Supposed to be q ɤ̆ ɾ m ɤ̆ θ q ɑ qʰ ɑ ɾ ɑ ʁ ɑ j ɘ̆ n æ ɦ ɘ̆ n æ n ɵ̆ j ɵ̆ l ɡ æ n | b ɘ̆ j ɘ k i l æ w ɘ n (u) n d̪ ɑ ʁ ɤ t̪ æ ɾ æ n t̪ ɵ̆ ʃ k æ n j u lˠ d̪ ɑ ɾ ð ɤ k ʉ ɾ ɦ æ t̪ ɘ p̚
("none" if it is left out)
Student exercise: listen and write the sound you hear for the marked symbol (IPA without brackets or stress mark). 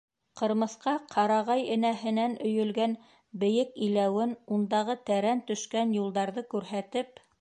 u